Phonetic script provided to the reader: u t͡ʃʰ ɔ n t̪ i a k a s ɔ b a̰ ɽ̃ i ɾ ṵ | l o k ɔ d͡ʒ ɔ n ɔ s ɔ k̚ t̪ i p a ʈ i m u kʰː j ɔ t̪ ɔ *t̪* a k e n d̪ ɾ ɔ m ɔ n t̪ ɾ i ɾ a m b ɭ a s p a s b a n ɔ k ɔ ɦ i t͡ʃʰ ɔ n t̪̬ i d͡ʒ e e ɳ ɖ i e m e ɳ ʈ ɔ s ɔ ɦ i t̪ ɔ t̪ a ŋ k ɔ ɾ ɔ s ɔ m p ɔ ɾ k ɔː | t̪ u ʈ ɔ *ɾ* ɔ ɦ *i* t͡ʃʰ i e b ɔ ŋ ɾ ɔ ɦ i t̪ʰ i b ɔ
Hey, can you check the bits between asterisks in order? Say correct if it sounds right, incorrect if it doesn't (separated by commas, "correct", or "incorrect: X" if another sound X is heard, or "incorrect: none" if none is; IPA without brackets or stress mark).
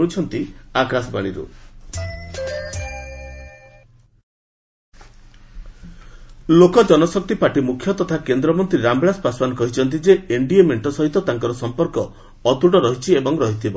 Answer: incorrect: t̪ʰ, correct, correct